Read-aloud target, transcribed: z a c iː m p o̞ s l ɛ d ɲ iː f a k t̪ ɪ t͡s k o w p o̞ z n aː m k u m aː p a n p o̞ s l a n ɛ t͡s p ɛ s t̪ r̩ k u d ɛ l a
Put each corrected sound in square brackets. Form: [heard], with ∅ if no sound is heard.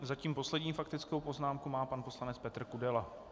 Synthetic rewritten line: z a c iː m p o̞ s l ɛ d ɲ iː f a k t̪ ɪ t͡s k o w p o̞ z n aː m k u m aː p a n p o̞ s l a n ɛ t͡s p ɛ [∅] t̪ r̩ k u d ɛ l a